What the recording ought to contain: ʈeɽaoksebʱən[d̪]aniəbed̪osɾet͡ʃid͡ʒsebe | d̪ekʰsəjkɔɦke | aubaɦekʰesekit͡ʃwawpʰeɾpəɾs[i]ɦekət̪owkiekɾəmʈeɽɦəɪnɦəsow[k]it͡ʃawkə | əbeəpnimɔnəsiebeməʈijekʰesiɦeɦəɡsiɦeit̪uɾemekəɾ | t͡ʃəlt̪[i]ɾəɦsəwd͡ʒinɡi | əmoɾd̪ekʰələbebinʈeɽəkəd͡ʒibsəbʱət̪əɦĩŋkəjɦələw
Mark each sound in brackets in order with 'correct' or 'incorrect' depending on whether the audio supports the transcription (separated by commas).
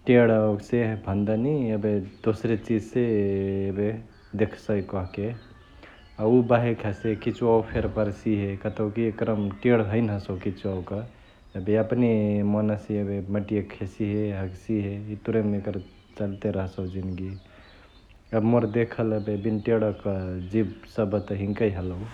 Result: correct, correct, correct, incorrect